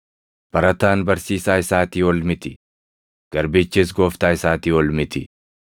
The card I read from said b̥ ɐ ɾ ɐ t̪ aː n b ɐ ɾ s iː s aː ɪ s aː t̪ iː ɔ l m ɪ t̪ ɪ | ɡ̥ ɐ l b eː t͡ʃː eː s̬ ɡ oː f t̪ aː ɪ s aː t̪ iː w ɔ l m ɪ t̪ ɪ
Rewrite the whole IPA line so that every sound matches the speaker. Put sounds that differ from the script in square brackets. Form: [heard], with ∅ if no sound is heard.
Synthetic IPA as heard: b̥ ɐ ɾ ɐ t̪ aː n b ɐ ɾ s iː s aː ɪ s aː t̪ iː ɔ l m ɪ t̪ ɪ | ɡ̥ ɐ [ɾ] b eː t͡ʃː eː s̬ ɡ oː f t̪ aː ɪ s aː t̪ iː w ɔ l m ɪ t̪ ɪ